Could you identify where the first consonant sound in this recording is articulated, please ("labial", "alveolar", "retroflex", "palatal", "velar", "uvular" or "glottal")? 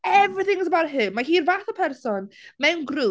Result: labial